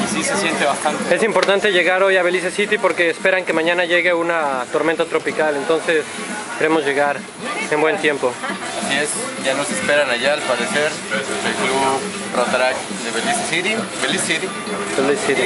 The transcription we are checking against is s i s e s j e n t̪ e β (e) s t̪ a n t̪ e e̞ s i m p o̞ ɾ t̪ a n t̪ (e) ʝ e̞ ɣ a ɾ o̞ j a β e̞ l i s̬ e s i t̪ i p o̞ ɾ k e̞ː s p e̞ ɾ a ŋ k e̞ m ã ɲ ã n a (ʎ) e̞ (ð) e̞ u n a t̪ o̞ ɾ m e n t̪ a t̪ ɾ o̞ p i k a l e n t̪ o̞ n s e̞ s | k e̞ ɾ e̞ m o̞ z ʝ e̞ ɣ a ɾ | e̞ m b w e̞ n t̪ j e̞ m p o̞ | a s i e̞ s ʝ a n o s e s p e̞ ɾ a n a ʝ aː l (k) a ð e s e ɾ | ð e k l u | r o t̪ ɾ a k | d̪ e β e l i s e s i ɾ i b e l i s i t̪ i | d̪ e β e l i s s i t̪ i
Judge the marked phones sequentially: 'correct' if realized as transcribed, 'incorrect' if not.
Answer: incorrect: a, correct, incorrect: ʝ, incorrect: ɣ, incorrect: p

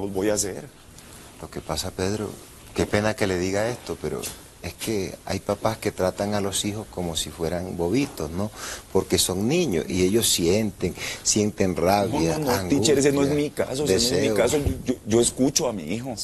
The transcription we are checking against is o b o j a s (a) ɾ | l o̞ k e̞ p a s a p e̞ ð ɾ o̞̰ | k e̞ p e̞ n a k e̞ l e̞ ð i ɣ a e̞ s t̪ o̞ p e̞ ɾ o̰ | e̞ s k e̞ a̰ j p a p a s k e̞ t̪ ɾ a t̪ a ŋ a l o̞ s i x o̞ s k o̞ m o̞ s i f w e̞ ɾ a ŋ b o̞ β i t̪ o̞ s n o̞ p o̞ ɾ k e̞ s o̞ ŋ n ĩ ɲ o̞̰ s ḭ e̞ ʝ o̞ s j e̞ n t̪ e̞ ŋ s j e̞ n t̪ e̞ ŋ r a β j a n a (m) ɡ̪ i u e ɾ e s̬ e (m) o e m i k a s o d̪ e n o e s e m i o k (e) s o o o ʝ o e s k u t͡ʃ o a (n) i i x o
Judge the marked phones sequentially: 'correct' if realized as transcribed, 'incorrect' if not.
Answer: incorrect: e, incorrect: ŋ, incorrect: n, incorrect: a, incorrect: m

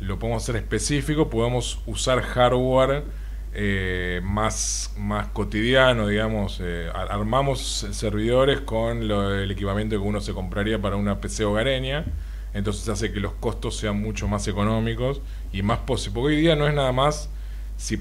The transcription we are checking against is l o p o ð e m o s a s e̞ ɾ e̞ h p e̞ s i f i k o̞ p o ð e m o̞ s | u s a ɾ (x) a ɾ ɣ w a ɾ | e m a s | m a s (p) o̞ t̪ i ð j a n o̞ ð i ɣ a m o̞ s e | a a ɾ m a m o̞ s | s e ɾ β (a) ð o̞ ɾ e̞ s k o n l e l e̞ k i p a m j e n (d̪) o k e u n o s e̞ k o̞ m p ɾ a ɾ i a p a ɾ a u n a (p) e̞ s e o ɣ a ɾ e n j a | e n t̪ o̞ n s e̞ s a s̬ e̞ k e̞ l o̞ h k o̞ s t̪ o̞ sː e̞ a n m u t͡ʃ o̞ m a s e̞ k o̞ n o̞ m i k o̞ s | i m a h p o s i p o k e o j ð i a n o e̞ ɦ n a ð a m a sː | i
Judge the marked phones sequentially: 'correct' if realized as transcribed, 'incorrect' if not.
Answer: correct, incorrect: k, incorrect: i, incorrect: t̪, correct

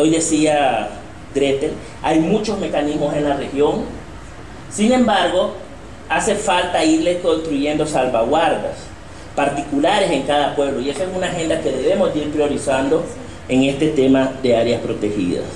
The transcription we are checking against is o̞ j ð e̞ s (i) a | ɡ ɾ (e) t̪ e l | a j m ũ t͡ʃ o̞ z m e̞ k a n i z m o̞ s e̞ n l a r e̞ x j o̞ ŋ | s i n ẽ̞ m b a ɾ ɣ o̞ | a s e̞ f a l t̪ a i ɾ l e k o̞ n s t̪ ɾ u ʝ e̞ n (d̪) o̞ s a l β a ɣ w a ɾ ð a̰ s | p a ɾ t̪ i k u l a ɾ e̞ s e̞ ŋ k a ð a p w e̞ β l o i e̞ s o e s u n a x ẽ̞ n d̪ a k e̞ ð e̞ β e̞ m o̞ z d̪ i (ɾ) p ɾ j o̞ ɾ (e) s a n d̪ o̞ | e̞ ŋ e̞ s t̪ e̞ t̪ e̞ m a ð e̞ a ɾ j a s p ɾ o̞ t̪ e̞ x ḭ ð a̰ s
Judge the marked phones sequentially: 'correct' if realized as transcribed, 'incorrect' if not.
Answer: correct, correct, correct, correct, incorrect: i

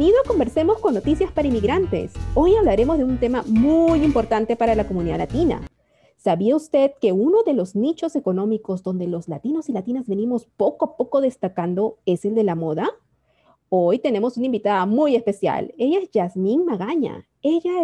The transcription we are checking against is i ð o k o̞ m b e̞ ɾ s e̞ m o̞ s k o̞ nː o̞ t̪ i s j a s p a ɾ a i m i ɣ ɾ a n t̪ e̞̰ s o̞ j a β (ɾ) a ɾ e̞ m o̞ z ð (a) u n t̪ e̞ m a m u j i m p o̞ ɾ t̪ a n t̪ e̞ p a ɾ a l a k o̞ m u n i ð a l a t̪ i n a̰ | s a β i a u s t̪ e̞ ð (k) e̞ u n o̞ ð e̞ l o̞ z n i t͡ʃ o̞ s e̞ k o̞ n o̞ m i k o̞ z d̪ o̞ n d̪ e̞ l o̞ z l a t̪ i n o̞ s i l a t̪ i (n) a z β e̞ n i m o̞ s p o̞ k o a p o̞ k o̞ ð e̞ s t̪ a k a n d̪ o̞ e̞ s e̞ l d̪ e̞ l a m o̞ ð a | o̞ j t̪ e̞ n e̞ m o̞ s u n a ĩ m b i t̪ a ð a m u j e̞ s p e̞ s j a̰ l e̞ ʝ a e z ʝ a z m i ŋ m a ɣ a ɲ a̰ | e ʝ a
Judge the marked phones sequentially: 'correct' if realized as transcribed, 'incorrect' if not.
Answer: incorrect: l, incorrect: e, correct, correct

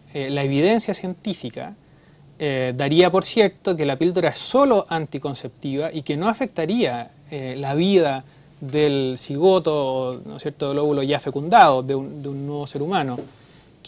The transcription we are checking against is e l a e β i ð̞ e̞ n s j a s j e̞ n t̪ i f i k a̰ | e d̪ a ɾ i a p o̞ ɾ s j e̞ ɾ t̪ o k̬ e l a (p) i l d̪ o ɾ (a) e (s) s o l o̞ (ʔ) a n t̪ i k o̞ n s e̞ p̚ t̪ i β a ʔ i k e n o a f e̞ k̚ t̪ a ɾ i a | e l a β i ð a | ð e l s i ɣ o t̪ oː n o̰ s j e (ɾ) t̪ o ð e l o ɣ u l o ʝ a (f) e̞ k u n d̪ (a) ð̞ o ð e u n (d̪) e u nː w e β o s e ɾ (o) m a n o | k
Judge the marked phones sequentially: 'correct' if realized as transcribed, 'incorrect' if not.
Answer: correct, correct, correct, correct, correct, correct, correct, correct, incorrect: u

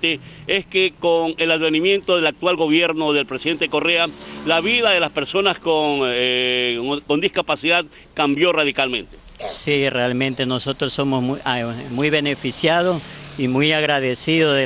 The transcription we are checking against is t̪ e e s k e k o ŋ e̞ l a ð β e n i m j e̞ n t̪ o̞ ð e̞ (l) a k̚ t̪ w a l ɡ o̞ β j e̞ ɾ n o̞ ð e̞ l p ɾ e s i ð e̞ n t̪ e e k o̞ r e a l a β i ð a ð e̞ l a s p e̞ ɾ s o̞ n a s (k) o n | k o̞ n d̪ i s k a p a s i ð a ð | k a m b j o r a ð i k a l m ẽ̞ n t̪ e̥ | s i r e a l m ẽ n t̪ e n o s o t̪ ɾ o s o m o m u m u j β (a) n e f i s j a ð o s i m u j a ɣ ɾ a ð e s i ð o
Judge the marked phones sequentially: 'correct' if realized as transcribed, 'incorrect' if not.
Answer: correct, correct, incorrect: e

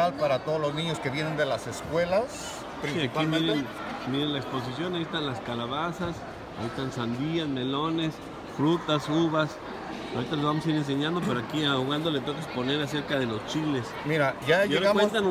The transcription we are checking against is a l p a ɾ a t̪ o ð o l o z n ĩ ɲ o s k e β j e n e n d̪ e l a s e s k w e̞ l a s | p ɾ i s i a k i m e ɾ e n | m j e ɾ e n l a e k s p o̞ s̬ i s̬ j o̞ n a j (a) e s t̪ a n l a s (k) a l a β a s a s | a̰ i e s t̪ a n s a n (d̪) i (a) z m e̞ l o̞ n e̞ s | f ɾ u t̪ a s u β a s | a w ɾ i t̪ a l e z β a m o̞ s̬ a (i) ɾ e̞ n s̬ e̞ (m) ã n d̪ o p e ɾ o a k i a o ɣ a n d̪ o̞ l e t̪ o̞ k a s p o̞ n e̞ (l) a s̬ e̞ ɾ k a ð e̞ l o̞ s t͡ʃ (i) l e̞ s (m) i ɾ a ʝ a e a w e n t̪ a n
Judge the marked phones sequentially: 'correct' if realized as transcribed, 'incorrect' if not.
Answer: incorrect: i, correct, correct, correct, correct, incorrect: ɲ, incorrect: ɾ, correct, correct

